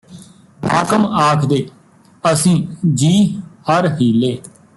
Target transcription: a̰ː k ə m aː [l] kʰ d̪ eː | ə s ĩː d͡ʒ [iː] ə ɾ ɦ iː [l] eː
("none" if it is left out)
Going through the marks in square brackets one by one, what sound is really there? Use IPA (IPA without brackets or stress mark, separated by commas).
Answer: none, iː, l